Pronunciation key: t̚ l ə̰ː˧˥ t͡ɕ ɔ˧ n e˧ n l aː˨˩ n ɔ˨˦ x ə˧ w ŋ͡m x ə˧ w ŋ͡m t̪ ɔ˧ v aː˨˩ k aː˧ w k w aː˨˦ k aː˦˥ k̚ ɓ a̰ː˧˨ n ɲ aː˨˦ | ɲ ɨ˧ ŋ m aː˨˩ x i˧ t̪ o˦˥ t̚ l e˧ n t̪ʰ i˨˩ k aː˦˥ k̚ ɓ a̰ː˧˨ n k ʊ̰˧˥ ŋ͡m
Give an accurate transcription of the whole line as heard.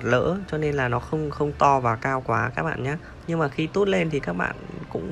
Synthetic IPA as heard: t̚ l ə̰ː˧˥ t͡ɕ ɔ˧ n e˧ n l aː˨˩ n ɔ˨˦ x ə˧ w ŋ͡m x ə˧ w ŋ͡m t̪ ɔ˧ v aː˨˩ k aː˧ w k w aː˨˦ k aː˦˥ k̚ ɓ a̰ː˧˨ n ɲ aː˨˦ | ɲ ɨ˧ ŋ m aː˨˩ x i˧ t̪ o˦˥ t̚ l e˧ n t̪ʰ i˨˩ k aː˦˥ k̚ ɓ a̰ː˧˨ n k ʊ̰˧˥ ŋ͡m